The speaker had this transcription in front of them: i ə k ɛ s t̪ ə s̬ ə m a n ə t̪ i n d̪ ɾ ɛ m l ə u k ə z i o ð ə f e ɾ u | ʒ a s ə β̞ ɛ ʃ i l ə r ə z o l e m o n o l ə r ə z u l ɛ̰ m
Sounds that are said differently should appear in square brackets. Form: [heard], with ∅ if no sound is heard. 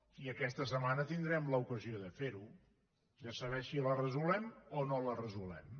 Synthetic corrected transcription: i ə k ɛ s t̪ ə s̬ ə m a n ə t̪ i n d̪ ɾ ɛ m l ə u k ə z i o ð ə f e ɾ u | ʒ a s ə β̞ ɛ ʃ i l ə r ə z [u] l [ɛ] m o n o l ə r ə z u l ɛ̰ m